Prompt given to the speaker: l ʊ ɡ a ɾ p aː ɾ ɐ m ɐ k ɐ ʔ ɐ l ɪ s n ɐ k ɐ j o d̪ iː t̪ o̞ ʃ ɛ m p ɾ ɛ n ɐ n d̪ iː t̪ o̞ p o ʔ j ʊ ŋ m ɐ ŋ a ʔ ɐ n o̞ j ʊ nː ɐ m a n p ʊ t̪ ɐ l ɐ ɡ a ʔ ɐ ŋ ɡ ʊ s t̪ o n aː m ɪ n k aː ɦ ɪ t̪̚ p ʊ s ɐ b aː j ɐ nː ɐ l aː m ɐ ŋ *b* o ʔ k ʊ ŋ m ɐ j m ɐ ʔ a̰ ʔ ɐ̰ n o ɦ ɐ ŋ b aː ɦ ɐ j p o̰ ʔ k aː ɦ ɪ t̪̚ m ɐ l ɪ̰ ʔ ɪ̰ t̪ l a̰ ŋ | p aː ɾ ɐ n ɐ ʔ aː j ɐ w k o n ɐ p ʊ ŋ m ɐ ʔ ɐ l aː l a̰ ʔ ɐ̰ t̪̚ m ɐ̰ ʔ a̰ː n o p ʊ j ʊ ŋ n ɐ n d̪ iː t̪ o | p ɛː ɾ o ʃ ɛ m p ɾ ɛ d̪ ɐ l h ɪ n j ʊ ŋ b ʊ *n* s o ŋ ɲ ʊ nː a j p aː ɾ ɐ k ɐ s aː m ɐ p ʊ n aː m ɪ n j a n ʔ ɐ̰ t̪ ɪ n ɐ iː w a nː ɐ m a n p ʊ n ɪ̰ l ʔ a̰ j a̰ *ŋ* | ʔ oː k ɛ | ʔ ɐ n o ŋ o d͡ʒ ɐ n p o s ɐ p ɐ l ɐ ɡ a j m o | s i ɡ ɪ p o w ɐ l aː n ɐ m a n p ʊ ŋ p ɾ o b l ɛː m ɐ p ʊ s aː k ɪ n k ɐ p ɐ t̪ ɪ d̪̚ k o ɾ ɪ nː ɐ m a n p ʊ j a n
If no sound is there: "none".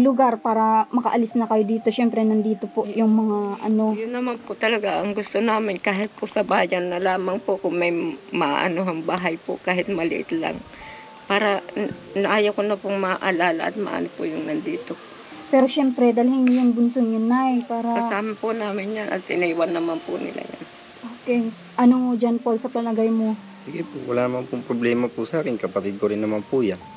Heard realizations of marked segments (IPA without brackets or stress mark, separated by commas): p, n, n